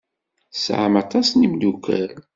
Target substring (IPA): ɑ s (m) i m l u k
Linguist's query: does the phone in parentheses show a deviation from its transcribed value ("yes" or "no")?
yes